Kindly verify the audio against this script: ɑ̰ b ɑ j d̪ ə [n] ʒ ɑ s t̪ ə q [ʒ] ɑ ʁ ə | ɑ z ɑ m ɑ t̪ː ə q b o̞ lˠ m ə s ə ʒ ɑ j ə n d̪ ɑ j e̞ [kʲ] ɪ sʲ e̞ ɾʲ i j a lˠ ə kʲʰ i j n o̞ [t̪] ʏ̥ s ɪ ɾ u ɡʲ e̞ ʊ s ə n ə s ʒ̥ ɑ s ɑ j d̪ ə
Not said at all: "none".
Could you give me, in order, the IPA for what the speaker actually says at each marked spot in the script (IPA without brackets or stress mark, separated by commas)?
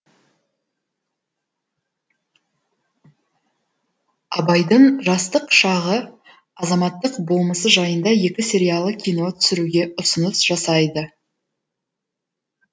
ɴ, ʃ, kʲ, t̪ʰ